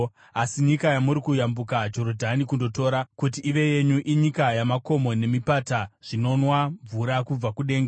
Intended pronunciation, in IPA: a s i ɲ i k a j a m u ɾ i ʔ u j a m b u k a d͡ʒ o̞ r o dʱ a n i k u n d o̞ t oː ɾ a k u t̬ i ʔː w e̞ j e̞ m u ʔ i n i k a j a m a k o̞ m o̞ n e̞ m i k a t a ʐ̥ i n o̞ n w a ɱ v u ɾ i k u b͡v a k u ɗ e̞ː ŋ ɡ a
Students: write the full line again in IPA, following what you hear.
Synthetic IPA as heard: a s i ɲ i k a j a m u ɾ i k u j a m b u k a d͡ʒ o̞ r o dʱ a n i k u n d o̞ t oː ɾ a k u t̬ i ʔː ʋ e̞ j e̞ ɲ u ʔ i ɲ i k a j a m a k o̞ m o̞ n e̞ m i p a t a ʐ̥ i n o̞ n w a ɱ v u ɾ a k u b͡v a k u ɗ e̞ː ŋ ɡ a